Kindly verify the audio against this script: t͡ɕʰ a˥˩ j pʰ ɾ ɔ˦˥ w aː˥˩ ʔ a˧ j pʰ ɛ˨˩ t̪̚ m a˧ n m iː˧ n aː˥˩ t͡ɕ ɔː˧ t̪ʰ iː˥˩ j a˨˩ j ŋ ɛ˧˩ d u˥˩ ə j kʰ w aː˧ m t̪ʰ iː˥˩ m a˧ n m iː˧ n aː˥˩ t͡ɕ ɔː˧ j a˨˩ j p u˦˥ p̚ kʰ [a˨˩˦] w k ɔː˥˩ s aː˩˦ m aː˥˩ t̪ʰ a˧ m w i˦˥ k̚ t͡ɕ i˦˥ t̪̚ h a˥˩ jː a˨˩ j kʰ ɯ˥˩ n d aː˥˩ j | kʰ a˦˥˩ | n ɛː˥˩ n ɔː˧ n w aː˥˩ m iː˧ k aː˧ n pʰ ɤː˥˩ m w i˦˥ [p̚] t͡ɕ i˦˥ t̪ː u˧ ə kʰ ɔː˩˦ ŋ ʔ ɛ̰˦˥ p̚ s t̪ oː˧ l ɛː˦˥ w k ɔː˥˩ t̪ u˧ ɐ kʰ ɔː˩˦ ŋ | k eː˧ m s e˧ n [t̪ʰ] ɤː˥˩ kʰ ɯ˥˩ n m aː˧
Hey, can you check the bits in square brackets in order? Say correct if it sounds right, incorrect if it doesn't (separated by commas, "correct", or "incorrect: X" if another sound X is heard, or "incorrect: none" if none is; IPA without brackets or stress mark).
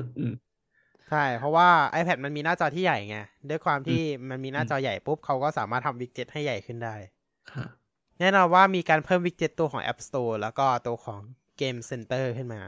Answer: incorrect: a˦˥, incorrect: k̚, incorrect: t̪